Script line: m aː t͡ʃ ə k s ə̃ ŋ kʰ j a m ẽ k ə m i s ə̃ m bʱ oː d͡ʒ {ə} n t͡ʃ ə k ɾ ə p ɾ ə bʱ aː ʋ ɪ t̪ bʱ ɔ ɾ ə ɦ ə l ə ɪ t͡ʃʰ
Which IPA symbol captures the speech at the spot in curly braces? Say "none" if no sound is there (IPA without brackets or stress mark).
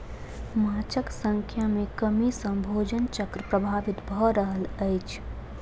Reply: ə